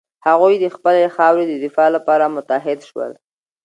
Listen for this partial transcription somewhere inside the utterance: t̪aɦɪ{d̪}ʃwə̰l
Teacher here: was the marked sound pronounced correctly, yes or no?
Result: yes